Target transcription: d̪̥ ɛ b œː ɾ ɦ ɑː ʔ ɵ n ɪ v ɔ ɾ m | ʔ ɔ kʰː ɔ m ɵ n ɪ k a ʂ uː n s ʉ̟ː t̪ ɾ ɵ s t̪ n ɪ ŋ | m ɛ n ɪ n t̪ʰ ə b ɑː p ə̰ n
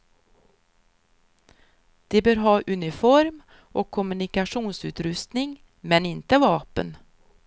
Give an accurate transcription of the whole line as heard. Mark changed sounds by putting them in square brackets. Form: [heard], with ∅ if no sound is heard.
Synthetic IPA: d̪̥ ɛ b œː ɾ ɦ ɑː ʔ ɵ n ɪ [f] ɔ ɾ m | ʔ ɔ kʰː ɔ m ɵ n ɪ k a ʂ uː n s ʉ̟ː t̪ ɾ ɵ s t̪ n ɪ ŋ | m ɛ n ɪ n [t̪] ə [v] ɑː p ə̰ n

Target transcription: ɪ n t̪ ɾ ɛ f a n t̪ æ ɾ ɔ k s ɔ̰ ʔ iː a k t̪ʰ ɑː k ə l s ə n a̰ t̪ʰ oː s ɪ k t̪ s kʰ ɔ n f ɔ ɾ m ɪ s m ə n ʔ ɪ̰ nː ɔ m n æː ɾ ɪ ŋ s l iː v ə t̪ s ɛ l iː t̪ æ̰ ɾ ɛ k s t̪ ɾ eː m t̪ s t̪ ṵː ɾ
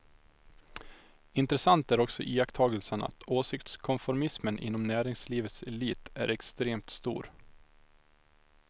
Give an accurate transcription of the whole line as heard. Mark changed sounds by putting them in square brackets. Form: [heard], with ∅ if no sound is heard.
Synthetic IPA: ɪ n t̪ ɾ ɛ [s] a n t̪ æ ɾ ɔ k s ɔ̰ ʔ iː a k t̪ʰ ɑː [ɡ] ə l s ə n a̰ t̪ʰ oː s ɪ k t̪ s kʰ ɔ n f ɔ ɾ m ɪ s m ə n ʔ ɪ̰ nː ɔ m n æː ɾ ɪ ŋ s l iː v ə t̪ s ɛ l iː t̪ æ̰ ɾ ɛ k s t̪ ɾ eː m t̪ s t̪ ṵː ɾ

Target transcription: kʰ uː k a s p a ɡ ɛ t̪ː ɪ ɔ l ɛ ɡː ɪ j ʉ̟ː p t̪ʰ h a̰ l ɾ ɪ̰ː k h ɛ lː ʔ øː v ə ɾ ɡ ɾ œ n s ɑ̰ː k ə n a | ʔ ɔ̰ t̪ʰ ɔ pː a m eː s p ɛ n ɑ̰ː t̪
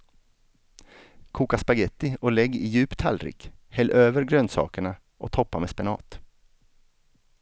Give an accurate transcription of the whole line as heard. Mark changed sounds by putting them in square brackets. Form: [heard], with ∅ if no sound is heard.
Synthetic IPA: kʰ uː k a s p a ɡ ɛ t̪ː ɪ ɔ l ɛ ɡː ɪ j ʉ̟ː p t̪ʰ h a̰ l ɾ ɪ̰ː k h ɛ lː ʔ øː v ə ɾ ɡ ɾ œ n s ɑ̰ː k ə [ɳ] a | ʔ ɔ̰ t̪ʰ ɔ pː a m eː s p ɛ n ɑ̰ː t̪

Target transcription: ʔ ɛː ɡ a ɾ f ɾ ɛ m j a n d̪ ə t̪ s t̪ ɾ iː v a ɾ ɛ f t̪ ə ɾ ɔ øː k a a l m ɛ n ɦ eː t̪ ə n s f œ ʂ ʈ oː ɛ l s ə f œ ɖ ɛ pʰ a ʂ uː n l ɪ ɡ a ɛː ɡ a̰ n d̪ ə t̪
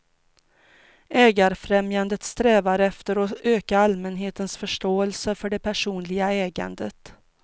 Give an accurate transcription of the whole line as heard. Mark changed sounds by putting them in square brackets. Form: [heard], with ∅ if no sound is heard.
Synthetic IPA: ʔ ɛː ɡ a ɾ f ɾ ɛ m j a n d̪ ə t̪ s t̪ ɾ [ɛː] v a ɾ ɛ f t̪ ə ɾ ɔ øː k a a l m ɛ n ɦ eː t̪ ə n s f œ ʂ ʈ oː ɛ l s ə f œ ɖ ɛ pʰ [æ] ʂ uː n l ɪ ɡ a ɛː ɡ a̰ n d̪ ə t̪

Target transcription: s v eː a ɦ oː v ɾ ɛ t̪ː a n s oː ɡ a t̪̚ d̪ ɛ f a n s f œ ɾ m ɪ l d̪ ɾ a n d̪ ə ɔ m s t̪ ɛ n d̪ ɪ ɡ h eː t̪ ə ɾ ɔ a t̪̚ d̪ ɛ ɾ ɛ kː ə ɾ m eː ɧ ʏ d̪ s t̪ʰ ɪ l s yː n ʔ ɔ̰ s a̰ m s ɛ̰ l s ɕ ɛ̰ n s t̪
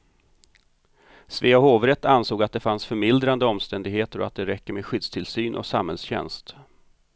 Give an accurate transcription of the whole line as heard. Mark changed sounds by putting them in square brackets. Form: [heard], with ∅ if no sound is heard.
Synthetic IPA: s v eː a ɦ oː v ɾ ɛ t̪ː a n s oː ɡ a t̪̚ d̪ ɛ f a n s f œ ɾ m ɪ l d̪ ɾ a n d̪ ə ɔ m s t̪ ɛ n d̪ ɪ ɡ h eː t̪ ə ɾ ɔ a t̪̚ d̪ ɛ ɾ ɛ kː ə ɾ m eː ɧ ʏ d̪ s t̪ʰ ɪ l s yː n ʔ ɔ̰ s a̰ m [h] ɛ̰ l s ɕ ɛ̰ n s t̪

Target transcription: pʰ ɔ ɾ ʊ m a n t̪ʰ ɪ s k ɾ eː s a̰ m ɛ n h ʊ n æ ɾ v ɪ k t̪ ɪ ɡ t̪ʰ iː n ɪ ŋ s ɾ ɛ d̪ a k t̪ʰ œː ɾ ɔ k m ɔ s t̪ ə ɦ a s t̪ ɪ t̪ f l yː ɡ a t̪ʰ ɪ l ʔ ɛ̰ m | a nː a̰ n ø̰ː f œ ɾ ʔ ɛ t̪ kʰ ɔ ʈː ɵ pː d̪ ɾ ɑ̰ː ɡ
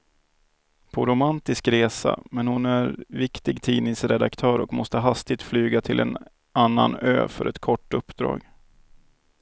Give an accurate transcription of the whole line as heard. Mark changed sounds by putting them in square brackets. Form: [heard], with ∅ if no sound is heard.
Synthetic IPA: pʰ ɔ ɾ ʊ m a n [t̪] ɪ s k ɾ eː s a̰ m ɛ n h ʊ n æ ɾ v ɪ k t̪ ɪ ɡ t̪ʰ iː n ɪ ŋ s ɾ ɛ d̪ a k t̪ʰ œː ɾ ɔ k m ɔ s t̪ ə ɦ a s t̪ ɪ t̪ f l yː ɡ a t̪ʰ ɪ l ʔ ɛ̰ [n] | a nː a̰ n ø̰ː f œ ɾ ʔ ɛ t̪ kʰ ɔ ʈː ɵ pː d̪ ɾ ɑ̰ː ɡ

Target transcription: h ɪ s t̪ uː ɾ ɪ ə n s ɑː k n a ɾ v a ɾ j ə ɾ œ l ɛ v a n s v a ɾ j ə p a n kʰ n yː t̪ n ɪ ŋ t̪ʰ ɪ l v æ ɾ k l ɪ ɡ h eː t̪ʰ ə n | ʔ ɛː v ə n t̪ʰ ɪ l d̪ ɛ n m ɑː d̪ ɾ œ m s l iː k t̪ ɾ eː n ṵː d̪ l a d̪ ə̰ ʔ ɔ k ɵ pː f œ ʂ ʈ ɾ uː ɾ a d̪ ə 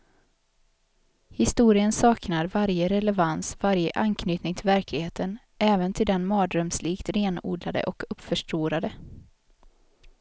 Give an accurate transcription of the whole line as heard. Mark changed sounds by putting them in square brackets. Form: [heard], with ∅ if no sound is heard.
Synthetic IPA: h ɪ s t̪ uː ɾ ɪ ə n s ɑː k n a ɾ v a ɾ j ə ɾ [ɛ] l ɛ v a n s v a ɾ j ə [ʔ] a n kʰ n yː t̪ n ɪ ŋ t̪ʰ ɪ l v æ ɾ k l ɪ ɡ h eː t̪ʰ ə n | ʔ ɛː v ə n t̪ʰ ɪ l d̪ ɛ n m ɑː d̪ ɾ œ m s l iː k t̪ ɾ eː n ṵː d̪ l a d̪ ə̰ ʔ ɔ k ɵ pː f œ ʂ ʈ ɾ uː ɾ a d̪ ə

